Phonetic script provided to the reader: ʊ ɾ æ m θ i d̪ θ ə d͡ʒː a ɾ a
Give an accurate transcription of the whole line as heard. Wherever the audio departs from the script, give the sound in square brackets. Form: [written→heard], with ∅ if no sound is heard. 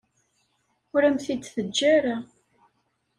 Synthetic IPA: ʊ ɾ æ m θ i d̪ θ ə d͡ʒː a ɾ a